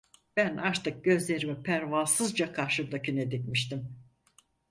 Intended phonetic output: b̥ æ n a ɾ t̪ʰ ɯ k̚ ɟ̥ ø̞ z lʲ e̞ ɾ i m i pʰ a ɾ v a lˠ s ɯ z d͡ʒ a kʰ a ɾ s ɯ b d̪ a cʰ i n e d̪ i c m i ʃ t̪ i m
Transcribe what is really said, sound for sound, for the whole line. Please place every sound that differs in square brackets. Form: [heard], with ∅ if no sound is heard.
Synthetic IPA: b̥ æ n a ɾ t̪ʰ ɯ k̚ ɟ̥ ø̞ z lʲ e̞ ɾ i m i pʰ [æ] ɾ v a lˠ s ɯ z d͡ʒ a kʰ a ɾ [ʃ] ɯ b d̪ a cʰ [y] n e d̪ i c m i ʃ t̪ i m

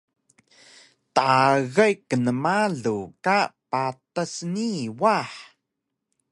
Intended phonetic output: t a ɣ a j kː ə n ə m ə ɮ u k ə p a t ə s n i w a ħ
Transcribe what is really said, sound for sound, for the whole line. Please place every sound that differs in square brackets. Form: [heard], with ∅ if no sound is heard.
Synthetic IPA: t a ɣ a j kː ə n ə m [a] ɮ u k [a] p a t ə s n i w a ħ

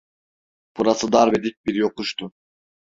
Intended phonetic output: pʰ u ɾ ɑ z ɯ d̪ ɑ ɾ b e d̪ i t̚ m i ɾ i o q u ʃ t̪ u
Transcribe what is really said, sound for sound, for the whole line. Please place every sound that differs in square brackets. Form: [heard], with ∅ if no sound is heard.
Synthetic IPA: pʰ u ɾ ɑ [s] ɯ d̪ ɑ ɾ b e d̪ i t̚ [b] i ɾ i o q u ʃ t̪ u

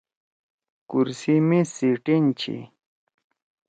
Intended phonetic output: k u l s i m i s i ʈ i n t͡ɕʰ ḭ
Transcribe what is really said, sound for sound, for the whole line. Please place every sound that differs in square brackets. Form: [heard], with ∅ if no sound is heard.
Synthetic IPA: k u [ɾ] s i m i s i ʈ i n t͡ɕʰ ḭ

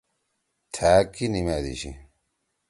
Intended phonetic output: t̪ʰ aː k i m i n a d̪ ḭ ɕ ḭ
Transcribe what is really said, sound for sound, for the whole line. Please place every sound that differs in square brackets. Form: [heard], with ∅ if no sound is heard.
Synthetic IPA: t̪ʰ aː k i [n] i [m] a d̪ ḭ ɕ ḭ

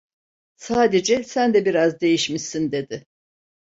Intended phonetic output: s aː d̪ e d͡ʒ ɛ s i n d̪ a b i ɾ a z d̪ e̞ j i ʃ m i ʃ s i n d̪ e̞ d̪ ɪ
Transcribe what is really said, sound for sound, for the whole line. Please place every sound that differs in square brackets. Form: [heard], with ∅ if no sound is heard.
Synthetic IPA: s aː d̪ e d͡ʒ ɛ s [æ] n d̪ [ɛ] b i ɾ a z d̪ e̞ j i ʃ m i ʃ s i n d̪ e̞ d̪ ɪ

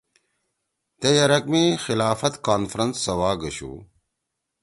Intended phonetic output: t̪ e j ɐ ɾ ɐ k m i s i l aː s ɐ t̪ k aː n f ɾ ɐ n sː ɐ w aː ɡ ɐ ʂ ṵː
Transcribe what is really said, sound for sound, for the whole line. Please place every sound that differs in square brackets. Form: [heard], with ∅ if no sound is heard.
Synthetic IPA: t̪ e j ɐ ɾ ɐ k m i [x] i l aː [f] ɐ t̪ k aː n f ɾ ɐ n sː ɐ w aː ɡ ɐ [ɕ] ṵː

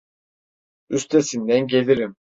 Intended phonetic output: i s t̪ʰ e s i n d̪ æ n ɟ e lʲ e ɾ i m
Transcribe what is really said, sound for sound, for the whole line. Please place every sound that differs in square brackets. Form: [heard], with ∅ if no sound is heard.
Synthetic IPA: [y] s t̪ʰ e s i n d̪ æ n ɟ e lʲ [i] ɾ i m

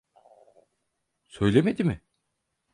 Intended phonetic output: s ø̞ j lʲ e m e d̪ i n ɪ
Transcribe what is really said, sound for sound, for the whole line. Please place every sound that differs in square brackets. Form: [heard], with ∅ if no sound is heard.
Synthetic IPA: s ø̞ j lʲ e m e d̪ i [m] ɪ

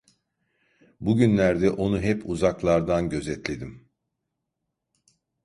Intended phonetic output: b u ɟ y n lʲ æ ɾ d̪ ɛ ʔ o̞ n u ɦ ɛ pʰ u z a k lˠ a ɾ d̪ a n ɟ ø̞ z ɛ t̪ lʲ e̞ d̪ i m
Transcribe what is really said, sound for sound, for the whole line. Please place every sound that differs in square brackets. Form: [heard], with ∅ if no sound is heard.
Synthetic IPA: b u ɟ y n lʲ æ ɾ d̪ ɛ ʔ o̞ n u ɦ ɛ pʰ u z a k lˠ a ɾ d̪ a n ɟ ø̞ z ɛ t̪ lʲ e̞ d̪ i m

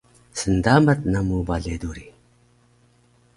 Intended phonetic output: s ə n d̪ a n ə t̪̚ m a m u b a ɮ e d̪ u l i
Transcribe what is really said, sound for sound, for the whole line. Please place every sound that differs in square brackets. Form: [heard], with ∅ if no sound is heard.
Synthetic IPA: s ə n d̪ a [m] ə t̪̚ [n] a m u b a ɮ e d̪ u [ɾ] i

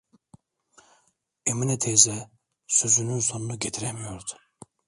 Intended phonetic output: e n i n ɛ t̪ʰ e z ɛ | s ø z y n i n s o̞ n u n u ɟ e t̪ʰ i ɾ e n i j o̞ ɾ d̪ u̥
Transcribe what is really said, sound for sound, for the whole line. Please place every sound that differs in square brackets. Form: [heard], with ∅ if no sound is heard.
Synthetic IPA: e [m] i n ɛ t̪ʰ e z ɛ | s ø z y n [y] n s o̞ n u n u ɟ e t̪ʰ i ɾ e [m] i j o̞ ɾ d̪ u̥

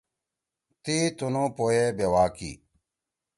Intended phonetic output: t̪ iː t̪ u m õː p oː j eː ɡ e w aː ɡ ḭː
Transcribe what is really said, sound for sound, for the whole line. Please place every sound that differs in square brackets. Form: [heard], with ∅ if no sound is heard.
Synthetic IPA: t̪ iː t̪ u [n] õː p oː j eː [b] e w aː [k] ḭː

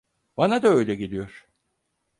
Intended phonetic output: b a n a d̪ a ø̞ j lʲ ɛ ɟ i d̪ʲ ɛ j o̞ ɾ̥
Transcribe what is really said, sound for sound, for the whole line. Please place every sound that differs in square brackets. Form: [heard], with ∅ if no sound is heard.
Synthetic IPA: b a n a d̪ a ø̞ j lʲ ɛ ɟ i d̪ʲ [i] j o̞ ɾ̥

